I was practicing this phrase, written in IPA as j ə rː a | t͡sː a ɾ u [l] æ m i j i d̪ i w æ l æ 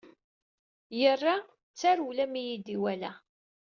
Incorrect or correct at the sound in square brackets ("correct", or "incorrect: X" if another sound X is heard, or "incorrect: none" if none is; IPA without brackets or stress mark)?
correct